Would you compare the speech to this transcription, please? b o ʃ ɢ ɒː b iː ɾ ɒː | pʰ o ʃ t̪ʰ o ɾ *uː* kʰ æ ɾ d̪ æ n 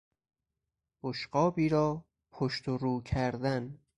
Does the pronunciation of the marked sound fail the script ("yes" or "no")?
no